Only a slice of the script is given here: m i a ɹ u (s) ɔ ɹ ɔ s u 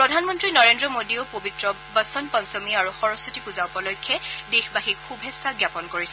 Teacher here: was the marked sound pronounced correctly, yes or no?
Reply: no